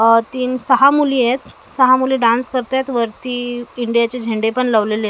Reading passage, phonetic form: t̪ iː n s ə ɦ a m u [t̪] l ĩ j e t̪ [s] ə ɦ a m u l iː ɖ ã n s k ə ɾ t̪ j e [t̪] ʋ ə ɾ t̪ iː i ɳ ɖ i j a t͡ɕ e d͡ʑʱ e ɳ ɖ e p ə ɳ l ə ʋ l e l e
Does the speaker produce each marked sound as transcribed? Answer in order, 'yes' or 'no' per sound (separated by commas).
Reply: no, yes, yes